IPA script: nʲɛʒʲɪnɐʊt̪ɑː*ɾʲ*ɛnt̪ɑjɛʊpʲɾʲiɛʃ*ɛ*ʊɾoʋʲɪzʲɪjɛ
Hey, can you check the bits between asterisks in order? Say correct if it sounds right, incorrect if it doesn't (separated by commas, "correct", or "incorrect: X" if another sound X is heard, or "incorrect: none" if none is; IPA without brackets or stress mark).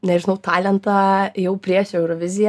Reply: incorrect: lʲ, correct